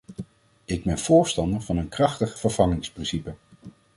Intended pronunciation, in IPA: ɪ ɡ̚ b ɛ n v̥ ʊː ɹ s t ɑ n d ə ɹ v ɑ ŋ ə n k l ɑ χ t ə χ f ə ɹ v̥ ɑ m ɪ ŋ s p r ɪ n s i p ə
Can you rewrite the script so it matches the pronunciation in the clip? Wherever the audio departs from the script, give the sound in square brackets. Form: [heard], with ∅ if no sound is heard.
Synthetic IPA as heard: ɪ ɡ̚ b ɛ n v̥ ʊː ɹ s t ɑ n d ə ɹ v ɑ [n] ə n k [r] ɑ χ t ə χ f ə ɹ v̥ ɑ [ŋ] ɪ ŋ s p r ɪ n s i p ə